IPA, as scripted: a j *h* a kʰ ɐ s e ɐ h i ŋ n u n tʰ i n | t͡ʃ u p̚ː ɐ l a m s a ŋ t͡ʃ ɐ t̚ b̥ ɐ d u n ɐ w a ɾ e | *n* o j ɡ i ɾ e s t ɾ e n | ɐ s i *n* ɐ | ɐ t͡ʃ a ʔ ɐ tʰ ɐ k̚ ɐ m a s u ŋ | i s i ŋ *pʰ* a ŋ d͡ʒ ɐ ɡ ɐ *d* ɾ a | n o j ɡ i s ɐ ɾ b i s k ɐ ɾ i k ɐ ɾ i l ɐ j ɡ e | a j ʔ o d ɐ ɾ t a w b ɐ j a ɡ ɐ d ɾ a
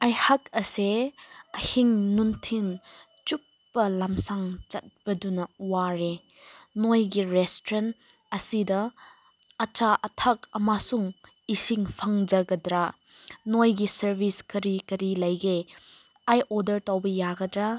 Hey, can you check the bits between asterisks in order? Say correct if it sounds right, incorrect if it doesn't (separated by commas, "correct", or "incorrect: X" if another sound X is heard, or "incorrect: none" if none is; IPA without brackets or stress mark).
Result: correct, correct, incorrect: d, correct, correct